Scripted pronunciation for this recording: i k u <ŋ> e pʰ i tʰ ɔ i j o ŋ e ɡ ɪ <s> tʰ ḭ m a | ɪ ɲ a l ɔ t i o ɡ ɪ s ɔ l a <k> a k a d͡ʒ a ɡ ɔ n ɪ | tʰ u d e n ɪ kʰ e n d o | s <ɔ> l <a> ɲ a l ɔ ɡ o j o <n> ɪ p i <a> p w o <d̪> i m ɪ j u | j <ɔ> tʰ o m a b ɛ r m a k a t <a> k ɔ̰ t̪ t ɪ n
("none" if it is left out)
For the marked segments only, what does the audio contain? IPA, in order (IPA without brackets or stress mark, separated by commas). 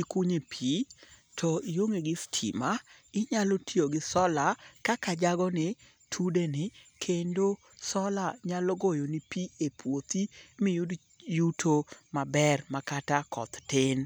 ɲ, s, k, ɔ, a, n, e, t̪, u, a